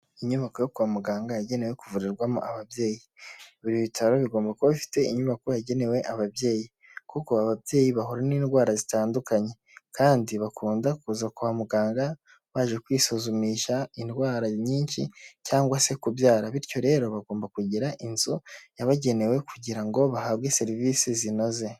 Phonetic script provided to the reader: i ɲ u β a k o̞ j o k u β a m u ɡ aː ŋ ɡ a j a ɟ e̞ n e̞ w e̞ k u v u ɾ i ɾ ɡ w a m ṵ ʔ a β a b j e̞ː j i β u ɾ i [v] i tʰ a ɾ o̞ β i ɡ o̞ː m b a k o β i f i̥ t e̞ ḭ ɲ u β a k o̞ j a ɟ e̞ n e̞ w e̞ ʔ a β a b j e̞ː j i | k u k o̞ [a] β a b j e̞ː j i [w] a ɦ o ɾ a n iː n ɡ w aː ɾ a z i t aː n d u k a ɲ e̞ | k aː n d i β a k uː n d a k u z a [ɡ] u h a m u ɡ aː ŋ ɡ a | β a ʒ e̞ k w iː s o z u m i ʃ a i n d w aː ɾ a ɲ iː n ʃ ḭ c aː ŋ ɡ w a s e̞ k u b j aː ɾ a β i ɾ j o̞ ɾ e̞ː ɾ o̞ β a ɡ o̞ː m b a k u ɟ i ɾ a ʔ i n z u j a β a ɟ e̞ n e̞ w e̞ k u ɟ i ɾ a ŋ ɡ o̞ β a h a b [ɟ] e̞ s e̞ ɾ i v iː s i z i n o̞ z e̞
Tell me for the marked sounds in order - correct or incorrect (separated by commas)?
incorrect, correct, incorrect, incorrect, incorrect